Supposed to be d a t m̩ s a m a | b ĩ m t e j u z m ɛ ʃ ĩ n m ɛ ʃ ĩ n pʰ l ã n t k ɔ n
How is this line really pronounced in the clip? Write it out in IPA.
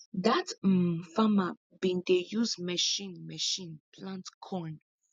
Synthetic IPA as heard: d a t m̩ f a m a | b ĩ n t e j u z m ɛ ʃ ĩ n m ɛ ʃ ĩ n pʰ l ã n t kʰ ɔ n